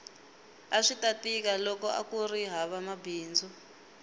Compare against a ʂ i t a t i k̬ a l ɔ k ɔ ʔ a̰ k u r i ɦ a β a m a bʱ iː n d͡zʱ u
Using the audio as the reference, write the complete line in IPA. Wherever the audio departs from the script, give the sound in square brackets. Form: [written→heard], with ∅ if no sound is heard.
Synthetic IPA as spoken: a ʂ i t a t i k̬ a l ɔ k ɔ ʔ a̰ k u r i ɦ a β a m a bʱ iː n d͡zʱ u